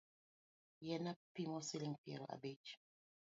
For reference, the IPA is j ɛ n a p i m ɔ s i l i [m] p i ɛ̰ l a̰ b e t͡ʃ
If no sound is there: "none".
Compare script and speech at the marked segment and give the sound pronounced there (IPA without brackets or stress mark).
ŋ